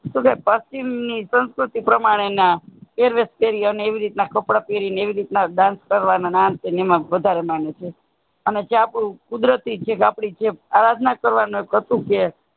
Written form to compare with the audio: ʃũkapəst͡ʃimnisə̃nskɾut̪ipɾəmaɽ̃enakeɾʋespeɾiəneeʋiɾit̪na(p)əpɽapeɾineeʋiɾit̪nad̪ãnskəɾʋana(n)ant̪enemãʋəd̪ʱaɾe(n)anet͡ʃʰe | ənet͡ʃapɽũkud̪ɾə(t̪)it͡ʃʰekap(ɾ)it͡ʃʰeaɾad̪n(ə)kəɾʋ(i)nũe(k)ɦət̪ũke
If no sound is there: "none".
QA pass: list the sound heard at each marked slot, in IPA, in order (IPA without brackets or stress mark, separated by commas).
k, n, m, t̪, ɽ, a, a, k